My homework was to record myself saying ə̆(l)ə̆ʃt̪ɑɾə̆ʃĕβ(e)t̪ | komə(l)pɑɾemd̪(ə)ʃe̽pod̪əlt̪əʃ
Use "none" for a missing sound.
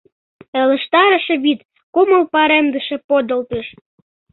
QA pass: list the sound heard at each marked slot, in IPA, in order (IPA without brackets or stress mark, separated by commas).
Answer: l, i, l, ə